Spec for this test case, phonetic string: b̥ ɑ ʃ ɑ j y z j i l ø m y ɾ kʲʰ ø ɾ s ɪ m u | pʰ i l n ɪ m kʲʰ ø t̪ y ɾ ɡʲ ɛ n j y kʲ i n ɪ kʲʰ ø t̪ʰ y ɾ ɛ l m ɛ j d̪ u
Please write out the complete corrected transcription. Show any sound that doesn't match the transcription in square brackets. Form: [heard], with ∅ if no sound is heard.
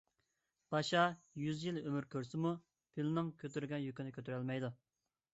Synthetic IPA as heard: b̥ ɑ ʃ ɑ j y z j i l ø m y ɾ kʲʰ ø ɾ s ɪ m u | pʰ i l n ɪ [ŋ] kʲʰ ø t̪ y ɾ ɡʲ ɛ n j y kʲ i n ɪ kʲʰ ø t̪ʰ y ɾ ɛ l m ɛ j d̪ u